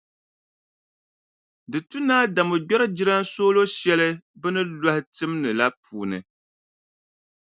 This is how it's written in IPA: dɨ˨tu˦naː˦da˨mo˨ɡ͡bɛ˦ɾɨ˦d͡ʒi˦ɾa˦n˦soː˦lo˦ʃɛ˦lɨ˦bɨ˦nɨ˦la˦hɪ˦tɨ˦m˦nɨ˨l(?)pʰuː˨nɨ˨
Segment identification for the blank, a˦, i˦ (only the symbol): a˦